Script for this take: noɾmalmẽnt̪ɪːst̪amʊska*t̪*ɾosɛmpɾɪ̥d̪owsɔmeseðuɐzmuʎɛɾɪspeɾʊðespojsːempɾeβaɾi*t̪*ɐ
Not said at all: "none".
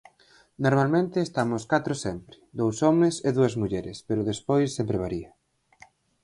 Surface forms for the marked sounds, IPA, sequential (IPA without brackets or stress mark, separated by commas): t̪, none